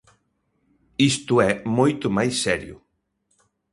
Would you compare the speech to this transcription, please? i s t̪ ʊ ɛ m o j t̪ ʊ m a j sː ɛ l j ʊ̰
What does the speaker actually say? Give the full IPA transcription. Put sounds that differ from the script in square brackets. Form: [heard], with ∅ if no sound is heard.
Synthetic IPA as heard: i s t̪ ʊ ɛ m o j t̪ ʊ m a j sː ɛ [ɾ] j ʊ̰